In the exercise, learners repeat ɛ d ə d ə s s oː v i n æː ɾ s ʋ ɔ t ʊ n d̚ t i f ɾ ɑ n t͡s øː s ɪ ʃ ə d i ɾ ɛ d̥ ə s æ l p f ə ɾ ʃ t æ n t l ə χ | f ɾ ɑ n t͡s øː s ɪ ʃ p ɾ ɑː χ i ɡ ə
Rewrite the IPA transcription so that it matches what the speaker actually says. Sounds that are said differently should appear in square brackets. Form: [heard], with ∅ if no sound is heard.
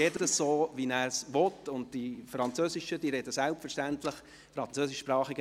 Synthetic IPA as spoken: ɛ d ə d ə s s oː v i n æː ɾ s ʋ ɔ t ʊ n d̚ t i f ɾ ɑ n t͡s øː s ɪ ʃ ə d i ɾ ɛ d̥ ə s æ l p f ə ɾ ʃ t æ n t l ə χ | f ɾ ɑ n t͡s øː s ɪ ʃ p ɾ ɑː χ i ɡ ə